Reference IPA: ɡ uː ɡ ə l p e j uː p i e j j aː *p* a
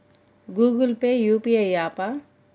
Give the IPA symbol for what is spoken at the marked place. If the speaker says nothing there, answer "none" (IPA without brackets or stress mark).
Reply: p